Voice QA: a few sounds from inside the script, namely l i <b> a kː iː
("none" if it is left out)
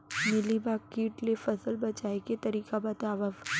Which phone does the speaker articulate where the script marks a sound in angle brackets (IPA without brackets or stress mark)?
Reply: b